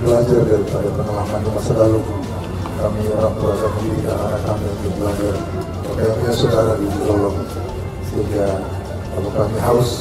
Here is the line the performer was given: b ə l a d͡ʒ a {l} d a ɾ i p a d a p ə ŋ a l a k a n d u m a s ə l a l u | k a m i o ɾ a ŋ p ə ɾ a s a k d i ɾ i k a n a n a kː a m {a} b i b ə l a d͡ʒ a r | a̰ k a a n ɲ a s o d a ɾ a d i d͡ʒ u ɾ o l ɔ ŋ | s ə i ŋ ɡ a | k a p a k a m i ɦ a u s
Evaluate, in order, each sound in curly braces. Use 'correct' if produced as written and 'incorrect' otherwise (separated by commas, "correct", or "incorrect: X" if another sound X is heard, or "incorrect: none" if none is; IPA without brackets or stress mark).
incorrect: r, incorrect: i